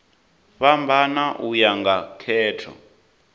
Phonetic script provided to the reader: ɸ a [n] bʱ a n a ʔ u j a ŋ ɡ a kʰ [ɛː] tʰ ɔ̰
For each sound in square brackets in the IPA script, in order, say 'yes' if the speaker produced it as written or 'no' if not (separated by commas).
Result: no, yes